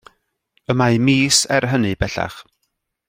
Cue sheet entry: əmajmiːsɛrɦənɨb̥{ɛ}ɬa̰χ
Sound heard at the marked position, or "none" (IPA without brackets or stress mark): ɛ